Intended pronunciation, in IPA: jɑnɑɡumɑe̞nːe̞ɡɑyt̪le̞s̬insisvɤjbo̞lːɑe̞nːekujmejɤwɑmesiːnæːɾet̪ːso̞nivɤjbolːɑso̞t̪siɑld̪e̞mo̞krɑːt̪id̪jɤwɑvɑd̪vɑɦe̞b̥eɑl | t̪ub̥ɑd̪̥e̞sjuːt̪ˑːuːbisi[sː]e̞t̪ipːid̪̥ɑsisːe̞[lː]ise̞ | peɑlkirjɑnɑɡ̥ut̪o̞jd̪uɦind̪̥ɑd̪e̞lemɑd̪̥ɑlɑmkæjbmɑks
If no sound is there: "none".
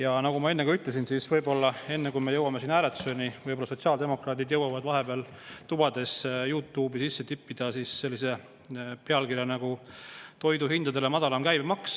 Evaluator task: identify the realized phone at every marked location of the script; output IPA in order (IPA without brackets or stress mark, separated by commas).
sː, lː